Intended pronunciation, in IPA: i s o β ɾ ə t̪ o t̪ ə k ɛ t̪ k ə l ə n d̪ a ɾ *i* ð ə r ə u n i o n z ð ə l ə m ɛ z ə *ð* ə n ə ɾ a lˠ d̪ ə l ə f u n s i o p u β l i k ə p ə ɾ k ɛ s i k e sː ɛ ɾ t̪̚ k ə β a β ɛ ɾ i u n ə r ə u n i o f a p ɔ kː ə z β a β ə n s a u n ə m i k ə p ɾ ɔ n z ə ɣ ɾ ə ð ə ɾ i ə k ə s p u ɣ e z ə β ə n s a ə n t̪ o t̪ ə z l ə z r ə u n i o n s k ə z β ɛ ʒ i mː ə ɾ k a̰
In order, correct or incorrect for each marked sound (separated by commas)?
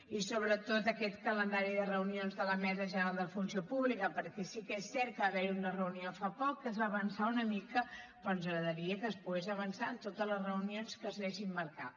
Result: correct, incorrect